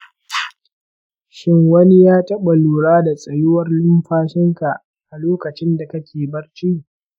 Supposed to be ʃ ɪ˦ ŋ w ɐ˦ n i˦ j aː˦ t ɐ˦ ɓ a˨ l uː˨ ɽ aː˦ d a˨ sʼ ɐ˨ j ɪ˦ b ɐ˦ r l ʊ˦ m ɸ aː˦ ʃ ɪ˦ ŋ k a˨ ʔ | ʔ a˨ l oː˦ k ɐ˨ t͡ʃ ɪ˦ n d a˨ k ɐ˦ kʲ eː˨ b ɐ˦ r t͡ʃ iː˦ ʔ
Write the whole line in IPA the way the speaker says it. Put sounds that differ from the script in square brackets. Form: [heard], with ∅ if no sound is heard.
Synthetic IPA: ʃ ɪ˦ ŋ w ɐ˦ n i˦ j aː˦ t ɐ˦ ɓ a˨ l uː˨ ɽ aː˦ d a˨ sʼ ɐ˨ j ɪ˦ [w] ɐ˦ r l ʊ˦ m ɸ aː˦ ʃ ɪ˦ ŋ k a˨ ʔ | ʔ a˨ l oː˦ k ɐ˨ t͡ʃ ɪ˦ n d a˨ k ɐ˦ kʲ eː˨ b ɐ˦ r t͡ʃ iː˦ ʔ